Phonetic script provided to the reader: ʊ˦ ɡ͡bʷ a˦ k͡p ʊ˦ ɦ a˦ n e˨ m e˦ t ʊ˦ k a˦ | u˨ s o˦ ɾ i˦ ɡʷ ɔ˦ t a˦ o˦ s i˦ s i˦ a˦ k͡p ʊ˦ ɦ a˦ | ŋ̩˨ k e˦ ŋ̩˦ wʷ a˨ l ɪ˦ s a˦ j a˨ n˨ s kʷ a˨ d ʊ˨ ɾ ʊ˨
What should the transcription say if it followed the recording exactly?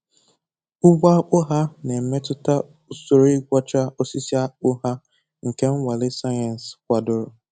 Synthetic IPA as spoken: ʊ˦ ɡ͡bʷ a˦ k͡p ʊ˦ ɦ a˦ n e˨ m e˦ t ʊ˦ t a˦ | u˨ s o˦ ɾ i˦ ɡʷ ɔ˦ t͡ʃ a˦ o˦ s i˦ s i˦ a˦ k͡p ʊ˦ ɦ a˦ | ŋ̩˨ k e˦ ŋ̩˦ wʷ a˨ l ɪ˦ s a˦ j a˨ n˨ s kʷ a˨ d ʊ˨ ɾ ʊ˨

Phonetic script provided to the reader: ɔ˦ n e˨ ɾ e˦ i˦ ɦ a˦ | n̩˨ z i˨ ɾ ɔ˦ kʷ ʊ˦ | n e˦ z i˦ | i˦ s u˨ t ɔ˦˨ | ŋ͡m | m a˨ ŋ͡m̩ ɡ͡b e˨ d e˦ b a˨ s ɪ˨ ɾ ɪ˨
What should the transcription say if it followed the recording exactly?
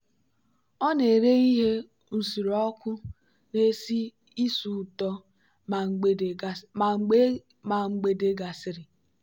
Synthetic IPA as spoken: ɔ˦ n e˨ ɾ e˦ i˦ ɦ e˦ | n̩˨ s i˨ ɾ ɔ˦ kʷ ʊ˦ | n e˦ s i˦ | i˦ s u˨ t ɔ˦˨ | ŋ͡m | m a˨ ŋ͡m̩ ɡ͡b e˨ d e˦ ɡ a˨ s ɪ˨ ɾ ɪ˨

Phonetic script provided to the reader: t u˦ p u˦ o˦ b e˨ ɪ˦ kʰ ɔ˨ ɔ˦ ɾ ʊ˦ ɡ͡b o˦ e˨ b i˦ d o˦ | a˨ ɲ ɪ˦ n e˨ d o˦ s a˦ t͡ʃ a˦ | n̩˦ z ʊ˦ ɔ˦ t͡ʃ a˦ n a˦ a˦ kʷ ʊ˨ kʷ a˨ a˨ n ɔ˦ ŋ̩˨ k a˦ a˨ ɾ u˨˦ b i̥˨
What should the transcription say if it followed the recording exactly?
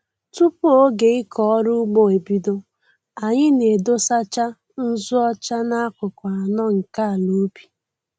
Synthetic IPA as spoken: t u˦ p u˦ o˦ ɡ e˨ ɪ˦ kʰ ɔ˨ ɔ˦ ɾ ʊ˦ ɡ͡b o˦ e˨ b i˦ d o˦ | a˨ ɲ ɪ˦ n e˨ d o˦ s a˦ t͡ʃ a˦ | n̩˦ z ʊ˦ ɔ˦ t͡ʃ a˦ n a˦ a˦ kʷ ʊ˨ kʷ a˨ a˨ n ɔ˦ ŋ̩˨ k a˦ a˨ l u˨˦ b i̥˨

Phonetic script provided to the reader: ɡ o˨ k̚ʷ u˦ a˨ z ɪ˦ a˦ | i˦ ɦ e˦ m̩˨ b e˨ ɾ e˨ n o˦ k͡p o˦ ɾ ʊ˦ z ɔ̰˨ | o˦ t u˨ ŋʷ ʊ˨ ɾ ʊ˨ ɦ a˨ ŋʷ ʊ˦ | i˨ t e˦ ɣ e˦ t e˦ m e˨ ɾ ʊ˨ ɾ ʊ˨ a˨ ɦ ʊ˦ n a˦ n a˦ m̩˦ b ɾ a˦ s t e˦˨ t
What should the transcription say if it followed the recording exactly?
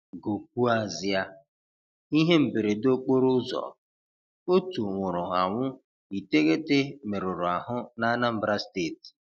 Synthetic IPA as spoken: ɡ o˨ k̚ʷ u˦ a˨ z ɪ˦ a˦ | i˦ ɦ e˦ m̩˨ b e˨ ɾ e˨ d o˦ k͡p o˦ ɾ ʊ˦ z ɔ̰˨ | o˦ t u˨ ŋʷ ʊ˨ ɾ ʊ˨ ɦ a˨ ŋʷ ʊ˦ | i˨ t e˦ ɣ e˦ t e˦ m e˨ ɾ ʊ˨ ɾ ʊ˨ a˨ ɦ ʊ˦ n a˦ n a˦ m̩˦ b ɾ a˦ s t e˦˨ t

